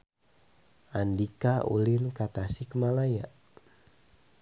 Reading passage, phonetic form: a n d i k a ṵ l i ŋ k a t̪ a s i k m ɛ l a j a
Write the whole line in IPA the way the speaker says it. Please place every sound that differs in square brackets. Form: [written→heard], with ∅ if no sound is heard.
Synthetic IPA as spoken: a n d i k a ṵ l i [ŋ→n] k a t̪ a s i k m [ɛ→a] l a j a